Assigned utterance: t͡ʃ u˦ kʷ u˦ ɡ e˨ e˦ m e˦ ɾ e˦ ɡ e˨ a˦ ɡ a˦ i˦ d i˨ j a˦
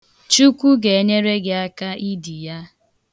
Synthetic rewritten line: t͡ʃ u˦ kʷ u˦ ɡ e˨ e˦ ɲ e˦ ɾ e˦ ɡ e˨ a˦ k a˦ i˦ d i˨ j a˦